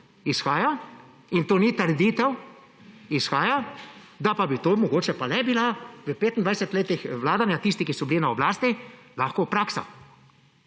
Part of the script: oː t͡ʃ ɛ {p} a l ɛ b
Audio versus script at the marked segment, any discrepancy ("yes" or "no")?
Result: no